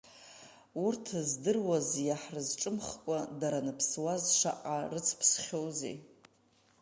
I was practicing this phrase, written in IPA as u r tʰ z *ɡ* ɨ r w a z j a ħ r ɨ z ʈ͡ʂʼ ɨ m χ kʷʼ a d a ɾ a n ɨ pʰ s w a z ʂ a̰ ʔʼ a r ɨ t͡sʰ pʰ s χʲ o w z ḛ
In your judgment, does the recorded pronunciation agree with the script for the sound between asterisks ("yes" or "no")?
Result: no